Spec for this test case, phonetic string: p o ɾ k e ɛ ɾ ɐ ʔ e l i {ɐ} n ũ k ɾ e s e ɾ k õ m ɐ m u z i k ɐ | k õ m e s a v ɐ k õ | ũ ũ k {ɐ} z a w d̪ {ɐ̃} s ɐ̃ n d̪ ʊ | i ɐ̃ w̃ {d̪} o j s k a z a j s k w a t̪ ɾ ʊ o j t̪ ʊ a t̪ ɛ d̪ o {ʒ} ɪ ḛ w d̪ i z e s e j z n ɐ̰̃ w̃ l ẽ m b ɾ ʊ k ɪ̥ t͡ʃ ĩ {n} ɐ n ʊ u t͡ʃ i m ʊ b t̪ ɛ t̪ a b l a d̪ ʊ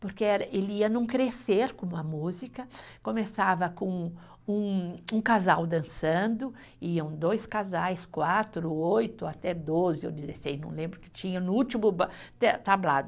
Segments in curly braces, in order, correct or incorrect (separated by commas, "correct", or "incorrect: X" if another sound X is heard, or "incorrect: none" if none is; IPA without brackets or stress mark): correct, incorrect: a, correct, correct, incorrect: z, incorrect: ɲ